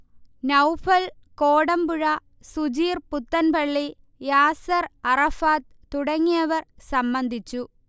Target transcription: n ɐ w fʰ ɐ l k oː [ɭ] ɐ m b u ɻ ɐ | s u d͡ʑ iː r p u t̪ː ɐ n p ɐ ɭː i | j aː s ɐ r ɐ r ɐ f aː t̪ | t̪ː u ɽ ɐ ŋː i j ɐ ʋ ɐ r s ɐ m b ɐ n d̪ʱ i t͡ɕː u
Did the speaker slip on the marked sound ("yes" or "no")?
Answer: yes